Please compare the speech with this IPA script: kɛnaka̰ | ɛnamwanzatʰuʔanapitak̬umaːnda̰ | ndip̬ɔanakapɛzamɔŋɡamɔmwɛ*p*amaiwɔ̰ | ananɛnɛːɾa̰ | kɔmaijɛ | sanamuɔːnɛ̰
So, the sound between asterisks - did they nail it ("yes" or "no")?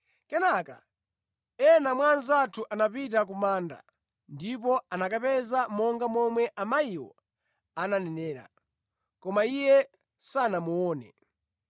no